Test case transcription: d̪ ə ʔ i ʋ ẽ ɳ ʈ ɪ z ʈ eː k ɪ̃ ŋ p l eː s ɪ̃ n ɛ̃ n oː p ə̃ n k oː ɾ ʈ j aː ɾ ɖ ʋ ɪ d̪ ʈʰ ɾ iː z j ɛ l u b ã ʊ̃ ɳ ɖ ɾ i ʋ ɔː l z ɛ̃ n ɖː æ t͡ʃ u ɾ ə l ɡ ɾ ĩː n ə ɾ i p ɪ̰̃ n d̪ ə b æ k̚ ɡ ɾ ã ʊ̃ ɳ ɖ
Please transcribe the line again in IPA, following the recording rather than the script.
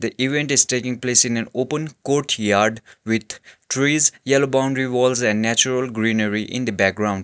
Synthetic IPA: d̪ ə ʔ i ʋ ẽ ɳ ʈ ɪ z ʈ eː k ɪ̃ ŋ p l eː s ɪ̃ n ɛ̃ n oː p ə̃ n k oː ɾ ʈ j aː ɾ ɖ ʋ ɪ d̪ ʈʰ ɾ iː z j ɛ l o b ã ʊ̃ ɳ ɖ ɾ i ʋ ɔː l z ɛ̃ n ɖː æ t͡ʃ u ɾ ə l ɡ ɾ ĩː n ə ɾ i ʔ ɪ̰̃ n d̪ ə b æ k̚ ɡ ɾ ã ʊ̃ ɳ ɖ